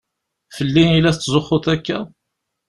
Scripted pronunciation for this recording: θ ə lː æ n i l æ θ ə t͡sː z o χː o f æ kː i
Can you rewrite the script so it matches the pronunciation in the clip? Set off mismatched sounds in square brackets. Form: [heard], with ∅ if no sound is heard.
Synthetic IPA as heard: [f] ə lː [i] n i l æ θ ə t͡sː z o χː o [θ] æ kː [æ]